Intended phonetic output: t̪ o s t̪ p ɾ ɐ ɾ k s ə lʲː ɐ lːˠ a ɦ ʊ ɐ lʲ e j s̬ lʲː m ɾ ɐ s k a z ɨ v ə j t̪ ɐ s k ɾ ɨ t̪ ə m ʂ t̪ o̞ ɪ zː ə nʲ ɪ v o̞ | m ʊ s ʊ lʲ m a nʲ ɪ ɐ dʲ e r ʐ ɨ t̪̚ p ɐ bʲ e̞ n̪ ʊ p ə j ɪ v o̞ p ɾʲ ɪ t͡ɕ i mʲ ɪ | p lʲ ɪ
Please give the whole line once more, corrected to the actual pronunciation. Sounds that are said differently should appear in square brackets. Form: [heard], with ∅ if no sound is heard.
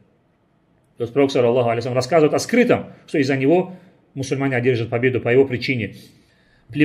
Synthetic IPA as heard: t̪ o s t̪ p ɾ ɐ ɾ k s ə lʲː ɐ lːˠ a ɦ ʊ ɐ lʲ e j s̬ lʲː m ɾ ɐ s k a z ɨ v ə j t̪ ɐ s k ɾ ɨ t̪ ə m ʂ t̪ o̞ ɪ zː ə nʲ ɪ v o̞ | m ʊ s ʊ lʲ m a nʲ ɪ ɐ dʲ e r ʐ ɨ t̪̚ p ɐ bʲ e̞ [d̪] ʊ p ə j ɪ v o̞ p ɾʲ ɪ t͡ɕ i [nʲ] ɪ | p lʲ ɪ